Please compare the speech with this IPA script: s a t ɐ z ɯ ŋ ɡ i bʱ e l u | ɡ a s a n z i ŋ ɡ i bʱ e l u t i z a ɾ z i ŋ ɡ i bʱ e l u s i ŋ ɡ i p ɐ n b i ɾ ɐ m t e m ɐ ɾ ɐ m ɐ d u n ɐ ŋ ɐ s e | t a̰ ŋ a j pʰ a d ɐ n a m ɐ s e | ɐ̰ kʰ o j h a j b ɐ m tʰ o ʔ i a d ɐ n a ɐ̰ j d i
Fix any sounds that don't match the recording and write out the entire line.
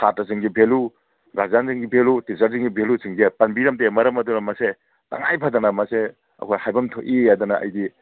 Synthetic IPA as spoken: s a t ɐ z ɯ ŋ ɡ i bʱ e l u | ɡ a z a n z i ŋ ɡ i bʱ e l u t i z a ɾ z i ŋ ɡ i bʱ e l u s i ŋ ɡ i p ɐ n b i ɾ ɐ m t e m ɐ ɾ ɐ m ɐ d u n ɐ m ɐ s e | t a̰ ŋ a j pʰ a d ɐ n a m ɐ s e | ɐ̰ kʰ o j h a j b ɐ m tʰ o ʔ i a d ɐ n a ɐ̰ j d i